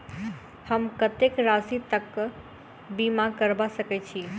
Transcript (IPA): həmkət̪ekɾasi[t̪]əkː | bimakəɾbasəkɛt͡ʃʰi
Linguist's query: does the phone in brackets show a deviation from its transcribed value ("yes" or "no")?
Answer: no